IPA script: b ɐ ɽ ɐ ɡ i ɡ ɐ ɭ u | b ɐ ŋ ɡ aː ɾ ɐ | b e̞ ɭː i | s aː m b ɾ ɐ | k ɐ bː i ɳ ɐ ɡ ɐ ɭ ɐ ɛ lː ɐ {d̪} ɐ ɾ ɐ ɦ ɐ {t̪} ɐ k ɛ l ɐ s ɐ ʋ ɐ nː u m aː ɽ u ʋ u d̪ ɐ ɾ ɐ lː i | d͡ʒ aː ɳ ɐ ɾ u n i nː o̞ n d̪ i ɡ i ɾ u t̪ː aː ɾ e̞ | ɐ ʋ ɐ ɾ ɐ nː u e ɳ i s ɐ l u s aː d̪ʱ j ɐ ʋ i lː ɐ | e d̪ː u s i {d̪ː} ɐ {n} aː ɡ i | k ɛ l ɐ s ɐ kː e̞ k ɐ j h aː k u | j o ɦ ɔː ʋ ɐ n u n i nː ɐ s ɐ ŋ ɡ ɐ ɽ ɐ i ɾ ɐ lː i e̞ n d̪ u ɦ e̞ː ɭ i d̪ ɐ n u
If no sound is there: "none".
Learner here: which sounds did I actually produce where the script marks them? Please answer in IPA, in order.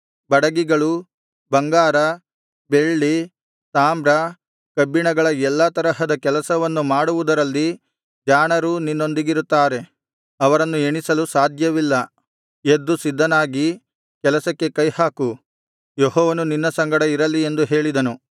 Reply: t̪, d̪, d̪ː, n

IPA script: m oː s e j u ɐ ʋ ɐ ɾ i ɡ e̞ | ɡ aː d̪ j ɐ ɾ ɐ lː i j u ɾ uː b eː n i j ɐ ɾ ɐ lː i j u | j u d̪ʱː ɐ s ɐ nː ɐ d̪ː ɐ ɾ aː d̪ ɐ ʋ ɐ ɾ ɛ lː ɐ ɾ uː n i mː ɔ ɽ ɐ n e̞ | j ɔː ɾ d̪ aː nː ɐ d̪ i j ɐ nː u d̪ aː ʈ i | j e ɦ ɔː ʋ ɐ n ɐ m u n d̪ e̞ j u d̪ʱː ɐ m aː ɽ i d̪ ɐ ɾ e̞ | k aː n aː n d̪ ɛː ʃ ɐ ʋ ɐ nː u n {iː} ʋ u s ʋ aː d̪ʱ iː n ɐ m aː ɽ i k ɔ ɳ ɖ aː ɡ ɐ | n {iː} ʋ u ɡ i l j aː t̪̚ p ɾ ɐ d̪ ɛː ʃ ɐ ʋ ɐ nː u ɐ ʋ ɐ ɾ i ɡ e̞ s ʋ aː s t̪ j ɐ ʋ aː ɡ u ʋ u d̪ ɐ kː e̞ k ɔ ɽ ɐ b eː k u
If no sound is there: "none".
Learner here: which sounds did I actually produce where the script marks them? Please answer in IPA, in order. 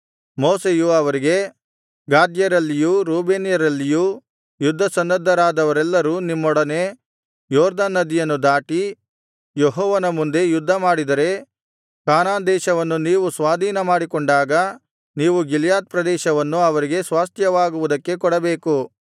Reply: iː, iː

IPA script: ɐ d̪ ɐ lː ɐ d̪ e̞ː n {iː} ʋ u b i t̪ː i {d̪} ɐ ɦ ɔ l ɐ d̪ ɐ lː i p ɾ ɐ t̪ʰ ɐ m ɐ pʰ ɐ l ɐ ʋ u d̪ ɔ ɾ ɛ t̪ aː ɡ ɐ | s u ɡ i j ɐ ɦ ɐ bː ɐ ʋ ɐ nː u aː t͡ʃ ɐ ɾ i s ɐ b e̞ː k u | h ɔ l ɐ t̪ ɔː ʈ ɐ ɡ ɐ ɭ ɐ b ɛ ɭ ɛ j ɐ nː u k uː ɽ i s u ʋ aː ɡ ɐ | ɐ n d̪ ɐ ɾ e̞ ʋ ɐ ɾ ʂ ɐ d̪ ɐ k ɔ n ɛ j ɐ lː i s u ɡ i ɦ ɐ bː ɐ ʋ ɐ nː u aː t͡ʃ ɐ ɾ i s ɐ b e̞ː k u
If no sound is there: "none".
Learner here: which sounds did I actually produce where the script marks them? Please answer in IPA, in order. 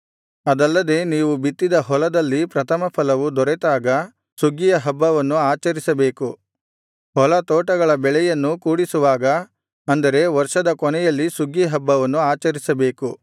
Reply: iː, d̪

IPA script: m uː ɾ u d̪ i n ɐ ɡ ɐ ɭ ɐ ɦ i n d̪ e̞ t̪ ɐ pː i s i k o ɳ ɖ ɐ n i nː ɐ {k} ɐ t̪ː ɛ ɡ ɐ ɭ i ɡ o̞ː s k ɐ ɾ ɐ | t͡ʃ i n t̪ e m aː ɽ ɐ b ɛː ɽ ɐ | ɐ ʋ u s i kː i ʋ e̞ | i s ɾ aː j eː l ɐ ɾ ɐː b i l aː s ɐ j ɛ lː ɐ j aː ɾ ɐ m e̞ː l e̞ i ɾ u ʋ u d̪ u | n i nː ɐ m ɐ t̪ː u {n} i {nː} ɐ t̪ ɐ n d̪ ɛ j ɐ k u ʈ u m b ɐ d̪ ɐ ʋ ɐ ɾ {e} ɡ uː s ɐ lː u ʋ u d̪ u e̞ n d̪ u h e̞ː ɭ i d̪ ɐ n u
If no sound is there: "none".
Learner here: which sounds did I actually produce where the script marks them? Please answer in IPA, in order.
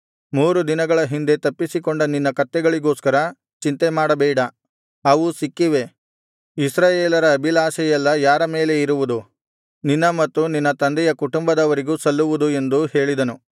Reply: k, n, nː, i

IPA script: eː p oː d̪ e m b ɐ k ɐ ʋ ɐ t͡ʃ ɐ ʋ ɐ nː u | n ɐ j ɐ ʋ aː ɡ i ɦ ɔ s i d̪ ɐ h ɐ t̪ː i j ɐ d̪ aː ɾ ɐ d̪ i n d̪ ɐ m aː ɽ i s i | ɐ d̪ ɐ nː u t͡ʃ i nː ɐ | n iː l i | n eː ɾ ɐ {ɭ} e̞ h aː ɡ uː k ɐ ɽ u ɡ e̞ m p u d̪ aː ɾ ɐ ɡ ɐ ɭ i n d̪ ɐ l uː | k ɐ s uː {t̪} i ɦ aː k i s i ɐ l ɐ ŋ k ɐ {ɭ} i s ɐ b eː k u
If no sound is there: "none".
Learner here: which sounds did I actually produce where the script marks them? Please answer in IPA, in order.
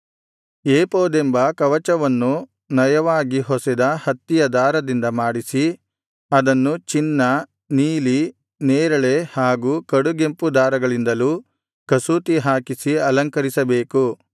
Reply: ɭ, t̪, ɾ

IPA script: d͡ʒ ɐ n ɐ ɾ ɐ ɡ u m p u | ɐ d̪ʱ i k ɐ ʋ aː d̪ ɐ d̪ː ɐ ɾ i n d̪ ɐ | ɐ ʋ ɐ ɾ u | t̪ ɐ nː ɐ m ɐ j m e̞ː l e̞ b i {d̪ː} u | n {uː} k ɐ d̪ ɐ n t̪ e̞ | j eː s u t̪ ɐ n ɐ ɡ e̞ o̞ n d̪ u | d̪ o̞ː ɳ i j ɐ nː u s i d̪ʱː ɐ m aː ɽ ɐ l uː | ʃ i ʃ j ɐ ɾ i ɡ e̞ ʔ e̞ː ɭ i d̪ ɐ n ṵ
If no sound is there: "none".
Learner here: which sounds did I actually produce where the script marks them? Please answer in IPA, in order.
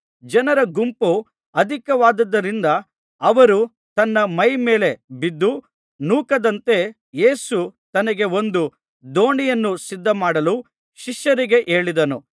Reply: d̪ː, uː

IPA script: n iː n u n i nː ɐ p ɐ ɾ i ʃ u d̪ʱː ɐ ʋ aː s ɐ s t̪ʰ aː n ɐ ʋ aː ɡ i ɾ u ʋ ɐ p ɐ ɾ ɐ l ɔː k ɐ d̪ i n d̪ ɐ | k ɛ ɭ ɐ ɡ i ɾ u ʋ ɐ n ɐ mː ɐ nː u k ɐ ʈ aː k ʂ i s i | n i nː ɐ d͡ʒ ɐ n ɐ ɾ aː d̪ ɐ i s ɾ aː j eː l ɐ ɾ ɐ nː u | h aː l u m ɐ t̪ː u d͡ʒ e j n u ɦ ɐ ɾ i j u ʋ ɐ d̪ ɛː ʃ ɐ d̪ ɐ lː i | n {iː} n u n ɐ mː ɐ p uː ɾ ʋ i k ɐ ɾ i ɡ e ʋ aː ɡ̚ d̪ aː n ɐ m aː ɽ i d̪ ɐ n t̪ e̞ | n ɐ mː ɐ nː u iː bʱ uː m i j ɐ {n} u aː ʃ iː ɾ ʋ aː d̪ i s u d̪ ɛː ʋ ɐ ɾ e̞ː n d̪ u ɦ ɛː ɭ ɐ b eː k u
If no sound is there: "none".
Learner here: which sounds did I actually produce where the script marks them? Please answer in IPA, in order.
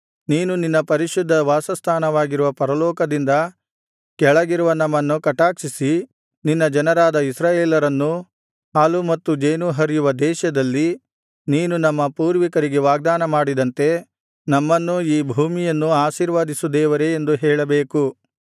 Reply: iː, nː

